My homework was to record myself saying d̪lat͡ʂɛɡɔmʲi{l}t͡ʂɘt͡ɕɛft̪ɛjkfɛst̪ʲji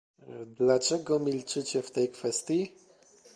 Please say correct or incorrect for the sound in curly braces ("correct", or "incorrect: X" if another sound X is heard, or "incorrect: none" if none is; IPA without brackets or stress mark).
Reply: correct